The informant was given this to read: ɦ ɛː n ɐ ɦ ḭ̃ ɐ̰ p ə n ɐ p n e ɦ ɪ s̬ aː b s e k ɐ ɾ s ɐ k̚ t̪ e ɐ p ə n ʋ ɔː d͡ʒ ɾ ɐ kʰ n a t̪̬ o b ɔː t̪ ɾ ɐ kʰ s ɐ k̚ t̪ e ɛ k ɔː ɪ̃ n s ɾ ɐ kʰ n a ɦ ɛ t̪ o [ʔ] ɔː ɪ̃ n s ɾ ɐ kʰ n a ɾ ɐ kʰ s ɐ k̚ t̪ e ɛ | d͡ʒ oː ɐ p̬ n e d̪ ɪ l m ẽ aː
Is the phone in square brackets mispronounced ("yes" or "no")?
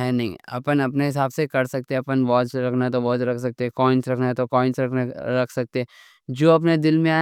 yes